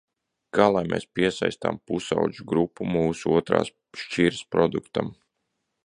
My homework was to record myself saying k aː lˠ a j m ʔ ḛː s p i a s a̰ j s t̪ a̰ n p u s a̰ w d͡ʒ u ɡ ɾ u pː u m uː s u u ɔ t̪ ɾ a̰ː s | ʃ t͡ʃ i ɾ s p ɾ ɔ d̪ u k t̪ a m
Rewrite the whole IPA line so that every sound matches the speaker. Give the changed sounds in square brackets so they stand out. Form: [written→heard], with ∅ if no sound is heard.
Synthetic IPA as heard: k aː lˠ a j m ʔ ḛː s p i [a→ɛ] s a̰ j s t̪ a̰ [n→m] p u s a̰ w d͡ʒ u ɡ ɾ u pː u m uː s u u ɔ t̪ ɾ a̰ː s | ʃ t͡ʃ i ɾ s p ɾ ɔ d̪ u k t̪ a m